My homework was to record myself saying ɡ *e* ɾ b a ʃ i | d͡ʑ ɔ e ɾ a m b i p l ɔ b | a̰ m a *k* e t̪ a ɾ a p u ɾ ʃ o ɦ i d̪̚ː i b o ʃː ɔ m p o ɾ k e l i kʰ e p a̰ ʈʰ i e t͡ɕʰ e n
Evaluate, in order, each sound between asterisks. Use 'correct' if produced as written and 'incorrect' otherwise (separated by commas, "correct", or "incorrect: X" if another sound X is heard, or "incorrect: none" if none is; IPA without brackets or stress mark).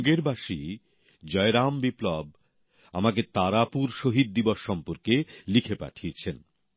correct, correct